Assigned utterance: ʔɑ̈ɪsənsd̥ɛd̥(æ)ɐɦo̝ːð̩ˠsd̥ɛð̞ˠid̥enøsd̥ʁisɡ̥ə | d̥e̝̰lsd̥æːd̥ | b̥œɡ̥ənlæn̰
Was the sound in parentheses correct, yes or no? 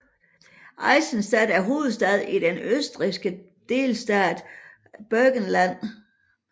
yes